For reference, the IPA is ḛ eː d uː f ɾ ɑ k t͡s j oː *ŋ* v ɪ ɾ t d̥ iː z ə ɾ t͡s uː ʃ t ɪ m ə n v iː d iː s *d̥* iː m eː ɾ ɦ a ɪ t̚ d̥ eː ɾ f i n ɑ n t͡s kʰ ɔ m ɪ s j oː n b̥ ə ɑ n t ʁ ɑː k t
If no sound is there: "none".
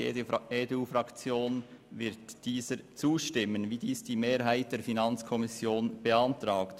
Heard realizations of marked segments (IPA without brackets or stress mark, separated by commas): n, d̥